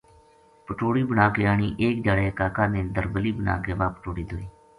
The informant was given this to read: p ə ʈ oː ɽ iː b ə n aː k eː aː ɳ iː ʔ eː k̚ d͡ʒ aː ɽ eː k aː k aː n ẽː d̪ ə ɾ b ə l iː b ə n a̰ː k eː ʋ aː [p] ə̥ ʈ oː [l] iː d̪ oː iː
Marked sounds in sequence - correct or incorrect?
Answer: correct, incorrect: ɽ

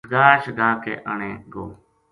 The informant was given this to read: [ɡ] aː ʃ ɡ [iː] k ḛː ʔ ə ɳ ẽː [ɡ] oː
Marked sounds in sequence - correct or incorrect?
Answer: correct, incorrect: aː, correct

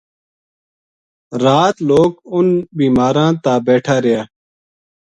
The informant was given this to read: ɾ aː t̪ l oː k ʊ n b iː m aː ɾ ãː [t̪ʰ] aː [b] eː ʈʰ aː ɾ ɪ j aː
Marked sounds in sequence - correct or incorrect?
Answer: incorrect: t̪, correct

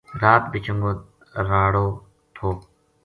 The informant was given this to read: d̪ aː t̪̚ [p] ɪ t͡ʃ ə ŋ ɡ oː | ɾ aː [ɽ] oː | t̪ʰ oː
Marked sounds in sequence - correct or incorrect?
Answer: incorrect: b, correct

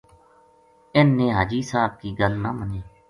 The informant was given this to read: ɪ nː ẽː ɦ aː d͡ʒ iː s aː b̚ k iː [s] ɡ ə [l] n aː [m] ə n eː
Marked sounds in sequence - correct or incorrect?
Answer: incorrect: none, correct, correct

